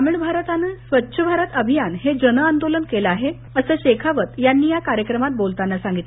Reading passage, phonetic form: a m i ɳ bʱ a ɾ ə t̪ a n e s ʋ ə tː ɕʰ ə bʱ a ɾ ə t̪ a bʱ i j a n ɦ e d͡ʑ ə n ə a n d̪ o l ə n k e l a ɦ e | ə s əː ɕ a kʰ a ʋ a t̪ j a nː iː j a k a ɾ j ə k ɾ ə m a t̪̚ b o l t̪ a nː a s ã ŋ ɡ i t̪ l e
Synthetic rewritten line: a m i ɳ bʱ a ɾ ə t̪ a n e s ʋ ə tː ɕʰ ə bʱ a ɾ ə t̪ ə bʱ i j a n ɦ e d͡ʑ ə n ə a n d̪ o l ə n k e l a ɦ e | ə s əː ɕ e kʰ a ʋ ə t̪ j a nː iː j a k a ɾ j ə k ɾ ə m a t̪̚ b o l t̪ a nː a s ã ŋ ɡ i t̪ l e

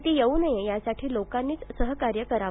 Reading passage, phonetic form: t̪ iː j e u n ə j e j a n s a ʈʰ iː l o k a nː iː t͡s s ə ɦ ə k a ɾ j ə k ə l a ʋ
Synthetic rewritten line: t̪ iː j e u n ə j e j a s a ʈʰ iː l o k a nː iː t͡s s ə ɦ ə k a ɾ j ə k ə ɾ a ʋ

